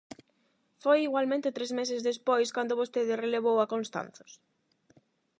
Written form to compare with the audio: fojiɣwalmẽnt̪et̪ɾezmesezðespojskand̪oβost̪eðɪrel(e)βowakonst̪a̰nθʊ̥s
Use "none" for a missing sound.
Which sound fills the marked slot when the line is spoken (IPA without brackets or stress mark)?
e